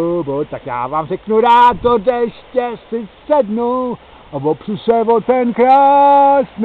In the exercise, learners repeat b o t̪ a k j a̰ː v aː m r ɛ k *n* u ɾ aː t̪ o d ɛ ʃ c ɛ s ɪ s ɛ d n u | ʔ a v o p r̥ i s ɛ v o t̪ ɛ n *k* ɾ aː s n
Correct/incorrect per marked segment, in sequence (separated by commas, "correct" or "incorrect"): correct, correct